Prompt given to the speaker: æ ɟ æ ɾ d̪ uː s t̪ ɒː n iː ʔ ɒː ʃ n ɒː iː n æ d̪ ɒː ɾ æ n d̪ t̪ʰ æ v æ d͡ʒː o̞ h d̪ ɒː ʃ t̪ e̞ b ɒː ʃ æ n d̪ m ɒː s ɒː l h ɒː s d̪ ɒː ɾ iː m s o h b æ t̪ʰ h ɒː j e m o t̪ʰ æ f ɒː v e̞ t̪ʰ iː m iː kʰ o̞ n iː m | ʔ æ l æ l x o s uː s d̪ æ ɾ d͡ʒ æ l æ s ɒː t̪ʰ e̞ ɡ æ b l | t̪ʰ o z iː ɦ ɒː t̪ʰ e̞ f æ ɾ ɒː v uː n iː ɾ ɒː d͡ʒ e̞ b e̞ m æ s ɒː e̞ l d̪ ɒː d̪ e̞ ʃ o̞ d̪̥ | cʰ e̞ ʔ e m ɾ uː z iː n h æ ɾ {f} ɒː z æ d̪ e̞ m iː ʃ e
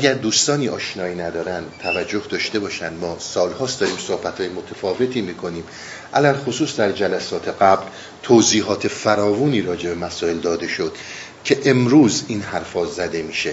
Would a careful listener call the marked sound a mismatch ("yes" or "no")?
no